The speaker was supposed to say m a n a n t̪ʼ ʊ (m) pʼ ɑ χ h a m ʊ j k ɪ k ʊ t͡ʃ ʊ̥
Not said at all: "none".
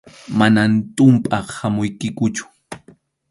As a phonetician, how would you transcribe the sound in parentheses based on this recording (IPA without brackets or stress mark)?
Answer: m